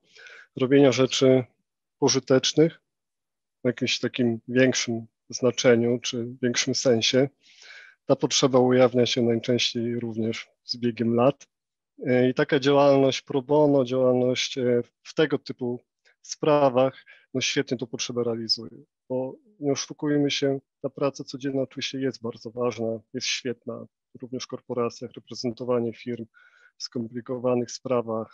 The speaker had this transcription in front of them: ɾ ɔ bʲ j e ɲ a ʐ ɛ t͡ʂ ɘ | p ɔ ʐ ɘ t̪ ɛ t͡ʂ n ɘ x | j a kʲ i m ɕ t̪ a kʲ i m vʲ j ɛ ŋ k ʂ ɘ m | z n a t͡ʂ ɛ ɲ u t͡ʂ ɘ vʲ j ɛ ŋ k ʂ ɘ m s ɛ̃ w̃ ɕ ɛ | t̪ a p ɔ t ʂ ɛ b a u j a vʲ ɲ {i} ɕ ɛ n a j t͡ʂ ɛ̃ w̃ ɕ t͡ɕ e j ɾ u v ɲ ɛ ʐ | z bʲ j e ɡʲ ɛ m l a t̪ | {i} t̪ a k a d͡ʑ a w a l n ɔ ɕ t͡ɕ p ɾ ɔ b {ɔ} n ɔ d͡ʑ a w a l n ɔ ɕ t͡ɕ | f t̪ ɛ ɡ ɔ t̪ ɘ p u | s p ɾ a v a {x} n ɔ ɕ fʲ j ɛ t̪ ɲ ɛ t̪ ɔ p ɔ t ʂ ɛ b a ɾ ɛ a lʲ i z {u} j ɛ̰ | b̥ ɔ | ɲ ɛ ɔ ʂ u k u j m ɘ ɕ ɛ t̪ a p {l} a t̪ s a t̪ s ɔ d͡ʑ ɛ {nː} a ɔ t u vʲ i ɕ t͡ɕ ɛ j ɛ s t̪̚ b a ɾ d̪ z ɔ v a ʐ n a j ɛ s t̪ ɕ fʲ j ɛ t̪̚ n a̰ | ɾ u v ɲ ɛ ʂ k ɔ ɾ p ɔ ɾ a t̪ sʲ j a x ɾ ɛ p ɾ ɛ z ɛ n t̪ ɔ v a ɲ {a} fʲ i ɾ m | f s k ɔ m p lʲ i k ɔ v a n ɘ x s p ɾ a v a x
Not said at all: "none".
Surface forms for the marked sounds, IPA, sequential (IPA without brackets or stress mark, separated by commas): a, i, ɔ, x, u, ɾ, nː, ɛ